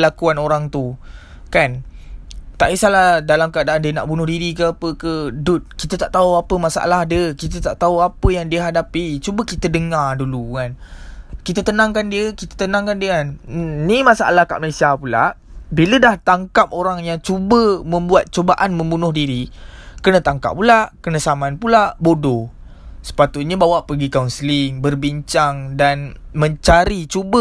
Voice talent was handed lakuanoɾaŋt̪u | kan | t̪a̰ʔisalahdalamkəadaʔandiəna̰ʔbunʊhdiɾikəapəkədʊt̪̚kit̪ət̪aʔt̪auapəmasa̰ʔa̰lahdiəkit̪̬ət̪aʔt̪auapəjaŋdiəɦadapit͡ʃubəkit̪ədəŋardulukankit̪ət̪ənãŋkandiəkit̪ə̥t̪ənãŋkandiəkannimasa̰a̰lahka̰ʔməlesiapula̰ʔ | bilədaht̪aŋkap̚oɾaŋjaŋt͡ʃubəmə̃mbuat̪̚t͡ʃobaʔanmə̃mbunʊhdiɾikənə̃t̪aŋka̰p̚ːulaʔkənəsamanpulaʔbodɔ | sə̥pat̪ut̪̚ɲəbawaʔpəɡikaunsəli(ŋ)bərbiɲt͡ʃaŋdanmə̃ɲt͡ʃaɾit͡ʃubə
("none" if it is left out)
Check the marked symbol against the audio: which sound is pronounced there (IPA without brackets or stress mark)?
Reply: ŋ